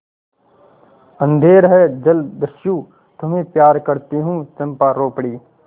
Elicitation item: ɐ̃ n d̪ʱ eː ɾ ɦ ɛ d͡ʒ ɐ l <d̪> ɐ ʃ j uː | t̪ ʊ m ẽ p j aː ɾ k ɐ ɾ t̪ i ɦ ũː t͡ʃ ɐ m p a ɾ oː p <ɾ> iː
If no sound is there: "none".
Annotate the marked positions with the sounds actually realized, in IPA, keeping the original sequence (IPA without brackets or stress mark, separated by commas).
d̪, ɽ